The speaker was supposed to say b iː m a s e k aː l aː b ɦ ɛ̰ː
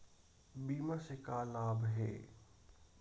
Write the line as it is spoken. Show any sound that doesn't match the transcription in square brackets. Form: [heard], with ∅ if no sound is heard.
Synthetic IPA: b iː m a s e k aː l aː b ɦ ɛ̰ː